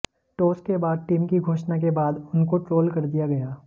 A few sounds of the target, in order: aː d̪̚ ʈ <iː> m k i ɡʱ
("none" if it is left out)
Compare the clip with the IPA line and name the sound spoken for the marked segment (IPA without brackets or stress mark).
iː